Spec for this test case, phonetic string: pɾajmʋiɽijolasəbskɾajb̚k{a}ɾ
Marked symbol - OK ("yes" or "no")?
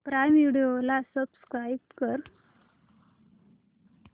no